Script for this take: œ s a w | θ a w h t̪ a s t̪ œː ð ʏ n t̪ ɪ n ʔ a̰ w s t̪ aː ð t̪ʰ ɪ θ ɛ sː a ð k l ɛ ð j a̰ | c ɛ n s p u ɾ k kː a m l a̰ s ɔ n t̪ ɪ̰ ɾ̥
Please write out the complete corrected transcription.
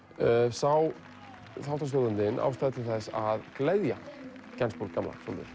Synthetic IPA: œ s a w | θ a w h t̪ a s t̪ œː ð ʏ n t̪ ɪ n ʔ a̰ w s t̪ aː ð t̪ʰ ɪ θ ɛ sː a ð k l ɛ ð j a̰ | c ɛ n s p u ɾ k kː a m l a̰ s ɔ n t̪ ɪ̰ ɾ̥